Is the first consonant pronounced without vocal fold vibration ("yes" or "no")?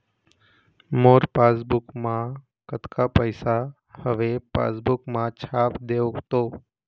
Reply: no